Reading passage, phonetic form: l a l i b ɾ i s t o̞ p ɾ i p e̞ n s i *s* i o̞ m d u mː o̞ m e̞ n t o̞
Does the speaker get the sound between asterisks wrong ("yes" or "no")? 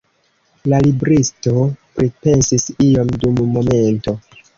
no